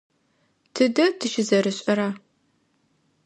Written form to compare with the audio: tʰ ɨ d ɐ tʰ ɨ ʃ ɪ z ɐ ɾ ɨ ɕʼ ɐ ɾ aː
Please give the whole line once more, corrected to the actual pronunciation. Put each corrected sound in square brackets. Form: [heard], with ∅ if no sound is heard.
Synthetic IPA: tʰ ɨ d ɐ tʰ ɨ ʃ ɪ z ɐ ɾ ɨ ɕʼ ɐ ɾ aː